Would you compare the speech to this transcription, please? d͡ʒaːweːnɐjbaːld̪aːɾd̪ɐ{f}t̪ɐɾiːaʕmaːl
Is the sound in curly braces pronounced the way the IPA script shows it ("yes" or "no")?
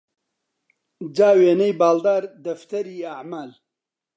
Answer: yes